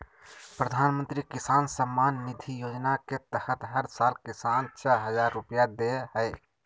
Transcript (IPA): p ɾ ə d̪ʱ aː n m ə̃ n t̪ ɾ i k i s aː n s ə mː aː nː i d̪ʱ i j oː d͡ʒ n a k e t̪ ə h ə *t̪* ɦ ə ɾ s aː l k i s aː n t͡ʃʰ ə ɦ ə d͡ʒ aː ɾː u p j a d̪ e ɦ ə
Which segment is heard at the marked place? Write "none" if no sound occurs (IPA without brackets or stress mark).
t̪